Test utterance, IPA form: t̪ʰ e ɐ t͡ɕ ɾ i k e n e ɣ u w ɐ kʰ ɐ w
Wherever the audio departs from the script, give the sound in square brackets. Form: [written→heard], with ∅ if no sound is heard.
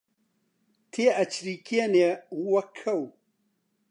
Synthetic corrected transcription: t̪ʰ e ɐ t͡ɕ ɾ i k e n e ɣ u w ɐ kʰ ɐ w